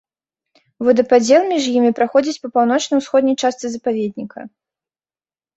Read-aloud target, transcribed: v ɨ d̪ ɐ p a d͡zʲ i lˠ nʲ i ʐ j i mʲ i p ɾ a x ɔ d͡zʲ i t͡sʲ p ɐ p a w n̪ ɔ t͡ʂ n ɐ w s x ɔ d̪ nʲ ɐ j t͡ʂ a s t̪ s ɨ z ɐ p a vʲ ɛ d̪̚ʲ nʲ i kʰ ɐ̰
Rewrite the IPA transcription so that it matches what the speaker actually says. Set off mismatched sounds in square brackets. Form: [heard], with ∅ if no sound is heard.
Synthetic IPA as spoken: v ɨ d̪ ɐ p a d͡zʲ [ɛ] lˠ [mʲ] i ʐ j i mʲ i p ɾ a x ɔ d͡zʲ i t͡sʲ p ɐ p a w n̪ ɔ t͡ʂ n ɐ w s x ɔ d̪ nʲ ɐ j t͡ʂ a s t̪ s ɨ z ɐ p a vʲ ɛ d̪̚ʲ nʲ i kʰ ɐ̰